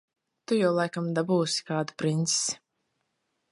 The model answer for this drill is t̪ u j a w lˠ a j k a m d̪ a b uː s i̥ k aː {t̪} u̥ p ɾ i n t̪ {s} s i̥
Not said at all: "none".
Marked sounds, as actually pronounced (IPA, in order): d̪, s

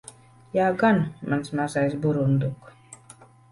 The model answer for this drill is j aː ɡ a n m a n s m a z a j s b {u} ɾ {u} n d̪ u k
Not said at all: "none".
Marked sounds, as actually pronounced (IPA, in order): u, u

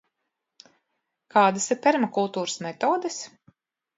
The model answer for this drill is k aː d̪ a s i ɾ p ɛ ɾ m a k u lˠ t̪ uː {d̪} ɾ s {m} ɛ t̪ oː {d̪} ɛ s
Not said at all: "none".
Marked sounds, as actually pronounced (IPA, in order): none, m, d̪

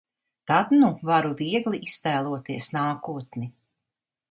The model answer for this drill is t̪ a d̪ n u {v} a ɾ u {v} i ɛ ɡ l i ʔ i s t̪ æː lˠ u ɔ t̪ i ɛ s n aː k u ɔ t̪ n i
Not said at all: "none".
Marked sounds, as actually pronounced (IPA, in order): v, v

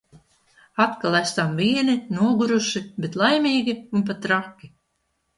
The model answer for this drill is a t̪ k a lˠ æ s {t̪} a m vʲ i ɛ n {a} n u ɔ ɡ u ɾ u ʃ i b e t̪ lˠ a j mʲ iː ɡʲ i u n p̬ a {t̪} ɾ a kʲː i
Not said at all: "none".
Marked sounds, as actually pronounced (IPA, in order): t̪, i, t̪

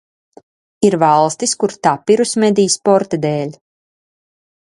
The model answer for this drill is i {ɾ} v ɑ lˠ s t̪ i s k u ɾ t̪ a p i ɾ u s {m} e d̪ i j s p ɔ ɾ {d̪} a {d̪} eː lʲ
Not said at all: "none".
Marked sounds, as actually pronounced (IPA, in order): ɾ, m, t̪, d̪

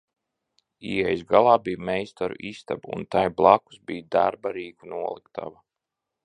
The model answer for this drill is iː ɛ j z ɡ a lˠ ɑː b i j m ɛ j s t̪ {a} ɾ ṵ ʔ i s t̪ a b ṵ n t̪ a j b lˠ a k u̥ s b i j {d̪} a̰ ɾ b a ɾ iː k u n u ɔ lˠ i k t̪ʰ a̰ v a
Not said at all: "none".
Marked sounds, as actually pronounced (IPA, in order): a, d̪

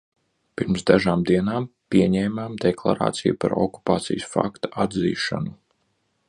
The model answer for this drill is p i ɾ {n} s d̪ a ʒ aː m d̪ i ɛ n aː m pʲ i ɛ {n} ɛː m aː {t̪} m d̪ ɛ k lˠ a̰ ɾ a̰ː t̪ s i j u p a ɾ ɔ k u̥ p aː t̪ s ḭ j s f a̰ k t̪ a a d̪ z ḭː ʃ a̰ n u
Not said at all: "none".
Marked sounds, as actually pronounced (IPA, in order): m, ɲ, none

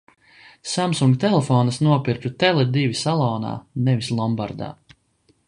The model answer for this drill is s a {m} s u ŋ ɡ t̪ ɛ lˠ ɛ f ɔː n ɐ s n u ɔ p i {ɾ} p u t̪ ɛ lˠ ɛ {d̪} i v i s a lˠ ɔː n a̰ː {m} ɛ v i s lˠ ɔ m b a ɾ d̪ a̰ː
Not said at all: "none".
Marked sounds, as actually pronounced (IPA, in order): m, ɾ, d̪, n

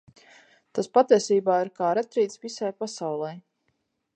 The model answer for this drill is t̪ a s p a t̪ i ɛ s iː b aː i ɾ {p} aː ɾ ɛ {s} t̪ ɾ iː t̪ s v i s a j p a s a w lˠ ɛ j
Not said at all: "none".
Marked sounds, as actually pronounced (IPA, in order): k, none

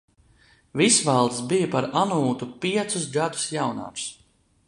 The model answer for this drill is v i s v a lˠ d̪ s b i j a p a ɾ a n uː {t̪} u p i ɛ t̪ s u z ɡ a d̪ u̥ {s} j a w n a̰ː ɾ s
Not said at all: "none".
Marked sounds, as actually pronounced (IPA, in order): t̪, s

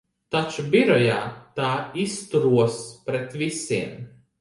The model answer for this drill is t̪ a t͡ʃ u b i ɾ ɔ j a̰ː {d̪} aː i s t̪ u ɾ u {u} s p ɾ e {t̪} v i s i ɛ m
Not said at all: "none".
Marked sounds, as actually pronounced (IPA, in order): t̪, ɔ, t̪

